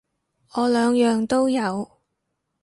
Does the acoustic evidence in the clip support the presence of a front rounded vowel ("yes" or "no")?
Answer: yes